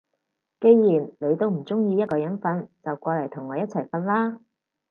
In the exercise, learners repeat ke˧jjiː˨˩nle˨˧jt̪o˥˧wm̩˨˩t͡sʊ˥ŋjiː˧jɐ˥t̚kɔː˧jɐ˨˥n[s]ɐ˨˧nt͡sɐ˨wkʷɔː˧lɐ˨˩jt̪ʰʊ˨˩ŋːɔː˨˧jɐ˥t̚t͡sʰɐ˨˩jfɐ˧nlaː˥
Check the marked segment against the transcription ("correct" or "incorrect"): incorrect